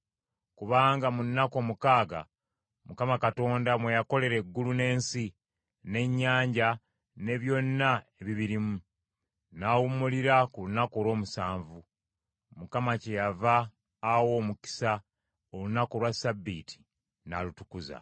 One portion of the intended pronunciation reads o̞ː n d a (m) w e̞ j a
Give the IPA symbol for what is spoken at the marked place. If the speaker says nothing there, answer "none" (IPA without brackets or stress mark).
m